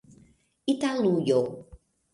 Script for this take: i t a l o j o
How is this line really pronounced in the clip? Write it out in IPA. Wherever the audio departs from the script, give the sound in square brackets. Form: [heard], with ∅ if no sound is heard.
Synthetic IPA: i t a l [u] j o